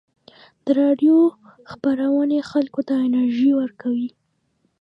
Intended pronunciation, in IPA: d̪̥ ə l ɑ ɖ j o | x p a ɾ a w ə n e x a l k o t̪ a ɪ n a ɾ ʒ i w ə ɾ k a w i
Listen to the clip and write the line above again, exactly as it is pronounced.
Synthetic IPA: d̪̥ ə ɾ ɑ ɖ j o | x p a ɾ a w ə n e x a l k o t̪ a ɪ n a ɾ ʒ i w ə ɾ k a w i